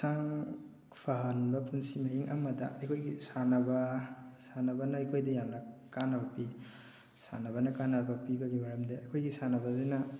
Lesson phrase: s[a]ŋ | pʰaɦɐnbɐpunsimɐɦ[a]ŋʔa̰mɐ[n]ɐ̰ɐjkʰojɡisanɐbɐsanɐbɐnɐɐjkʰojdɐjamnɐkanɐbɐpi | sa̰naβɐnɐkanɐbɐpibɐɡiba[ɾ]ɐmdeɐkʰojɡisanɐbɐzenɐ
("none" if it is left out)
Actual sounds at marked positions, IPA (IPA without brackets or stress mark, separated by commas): a, i, d, ɾ